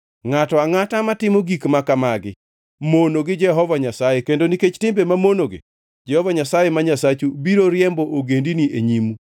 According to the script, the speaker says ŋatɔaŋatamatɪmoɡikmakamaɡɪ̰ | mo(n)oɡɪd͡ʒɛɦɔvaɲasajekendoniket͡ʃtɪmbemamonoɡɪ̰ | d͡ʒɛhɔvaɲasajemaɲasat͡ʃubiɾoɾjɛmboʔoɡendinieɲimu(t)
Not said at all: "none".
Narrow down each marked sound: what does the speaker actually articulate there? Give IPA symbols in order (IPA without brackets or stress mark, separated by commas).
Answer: n, none